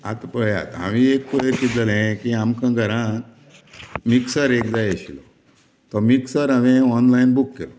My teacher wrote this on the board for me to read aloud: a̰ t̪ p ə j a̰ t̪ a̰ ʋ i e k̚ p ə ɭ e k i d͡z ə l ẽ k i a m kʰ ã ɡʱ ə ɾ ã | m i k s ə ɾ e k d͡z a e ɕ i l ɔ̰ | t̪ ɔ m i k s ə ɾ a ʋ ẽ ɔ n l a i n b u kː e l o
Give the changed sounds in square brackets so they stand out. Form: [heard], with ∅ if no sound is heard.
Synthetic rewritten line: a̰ t̪ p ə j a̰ t̪ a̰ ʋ i e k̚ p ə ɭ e k i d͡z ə l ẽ k i a m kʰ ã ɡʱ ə ɾ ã | m i k s ə ɾ e k d͡z a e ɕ i l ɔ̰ | t̪ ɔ m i k s ə ɾ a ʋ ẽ ɔ n l a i n b u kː e l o